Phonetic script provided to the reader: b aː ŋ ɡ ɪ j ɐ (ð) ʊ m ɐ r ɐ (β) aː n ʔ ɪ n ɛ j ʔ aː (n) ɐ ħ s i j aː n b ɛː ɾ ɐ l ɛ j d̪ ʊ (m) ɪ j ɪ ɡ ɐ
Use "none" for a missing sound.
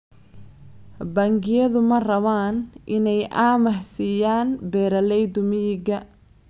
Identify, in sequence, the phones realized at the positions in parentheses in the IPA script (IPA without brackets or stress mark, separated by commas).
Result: ð, β, m, m